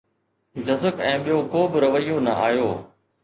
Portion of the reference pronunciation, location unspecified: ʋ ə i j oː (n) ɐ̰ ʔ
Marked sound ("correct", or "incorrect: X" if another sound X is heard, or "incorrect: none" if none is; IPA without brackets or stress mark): correct